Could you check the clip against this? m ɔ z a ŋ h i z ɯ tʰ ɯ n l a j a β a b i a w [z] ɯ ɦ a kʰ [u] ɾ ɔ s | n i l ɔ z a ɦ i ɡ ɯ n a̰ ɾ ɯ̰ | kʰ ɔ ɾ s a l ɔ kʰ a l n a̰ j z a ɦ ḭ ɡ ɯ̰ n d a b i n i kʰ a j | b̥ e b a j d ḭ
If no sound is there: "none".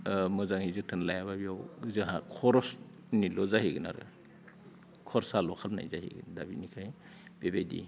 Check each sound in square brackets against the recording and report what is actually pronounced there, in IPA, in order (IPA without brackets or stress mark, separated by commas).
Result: z, ɔ